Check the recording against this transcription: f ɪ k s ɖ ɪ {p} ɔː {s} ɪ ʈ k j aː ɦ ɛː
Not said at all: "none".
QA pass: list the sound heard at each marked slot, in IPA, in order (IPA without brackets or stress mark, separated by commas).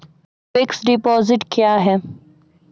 p, z